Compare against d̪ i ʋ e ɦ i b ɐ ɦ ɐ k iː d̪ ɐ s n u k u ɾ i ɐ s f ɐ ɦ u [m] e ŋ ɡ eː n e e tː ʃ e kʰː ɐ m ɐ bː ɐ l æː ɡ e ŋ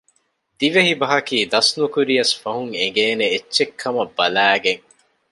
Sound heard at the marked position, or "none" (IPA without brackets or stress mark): ŋ